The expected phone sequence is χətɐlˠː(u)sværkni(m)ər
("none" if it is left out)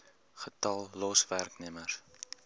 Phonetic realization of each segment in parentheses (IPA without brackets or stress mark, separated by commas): ɔ, m